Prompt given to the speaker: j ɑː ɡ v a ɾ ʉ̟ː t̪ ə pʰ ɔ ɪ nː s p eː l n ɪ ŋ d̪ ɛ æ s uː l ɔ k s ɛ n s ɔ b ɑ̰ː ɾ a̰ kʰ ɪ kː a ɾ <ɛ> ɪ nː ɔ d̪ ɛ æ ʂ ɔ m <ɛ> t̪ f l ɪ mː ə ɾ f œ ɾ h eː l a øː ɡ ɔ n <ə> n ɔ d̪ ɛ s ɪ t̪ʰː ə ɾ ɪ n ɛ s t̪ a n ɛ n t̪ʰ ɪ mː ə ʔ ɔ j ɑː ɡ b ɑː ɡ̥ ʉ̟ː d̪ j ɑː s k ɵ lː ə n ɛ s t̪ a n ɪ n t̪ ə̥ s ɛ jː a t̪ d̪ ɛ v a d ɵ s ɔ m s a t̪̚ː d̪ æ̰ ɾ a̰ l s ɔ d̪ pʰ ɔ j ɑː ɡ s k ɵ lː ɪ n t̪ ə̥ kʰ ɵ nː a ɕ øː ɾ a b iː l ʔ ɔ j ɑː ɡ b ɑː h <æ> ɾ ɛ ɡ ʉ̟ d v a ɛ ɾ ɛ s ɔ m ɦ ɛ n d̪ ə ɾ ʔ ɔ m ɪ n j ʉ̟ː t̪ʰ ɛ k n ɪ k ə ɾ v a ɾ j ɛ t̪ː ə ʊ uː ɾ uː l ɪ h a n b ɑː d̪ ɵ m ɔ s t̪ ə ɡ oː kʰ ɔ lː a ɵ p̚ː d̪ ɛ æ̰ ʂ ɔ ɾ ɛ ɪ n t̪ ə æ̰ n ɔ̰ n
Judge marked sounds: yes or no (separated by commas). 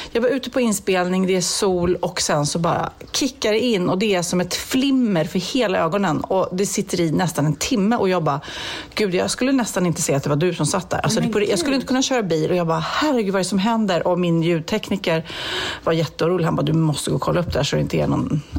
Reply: yes, yes, yes, yes